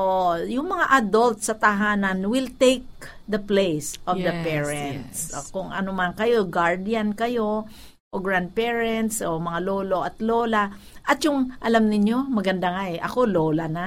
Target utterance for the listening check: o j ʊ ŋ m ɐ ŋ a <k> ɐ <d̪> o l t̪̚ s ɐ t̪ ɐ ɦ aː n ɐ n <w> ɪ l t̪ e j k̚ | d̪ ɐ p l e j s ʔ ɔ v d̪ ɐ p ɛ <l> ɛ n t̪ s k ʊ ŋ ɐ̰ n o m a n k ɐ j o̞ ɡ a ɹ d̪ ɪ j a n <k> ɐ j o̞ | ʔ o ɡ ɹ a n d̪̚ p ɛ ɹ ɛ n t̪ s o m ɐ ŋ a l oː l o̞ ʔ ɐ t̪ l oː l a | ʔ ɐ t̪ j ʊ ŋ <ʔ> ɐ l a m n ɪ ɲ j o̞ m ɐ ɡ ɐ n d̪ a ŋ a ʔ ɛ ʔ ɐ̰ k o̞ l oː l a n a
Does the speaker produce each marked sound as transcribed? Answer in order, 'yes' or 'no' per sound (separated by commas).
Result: no, yes, yes, no, yes, yes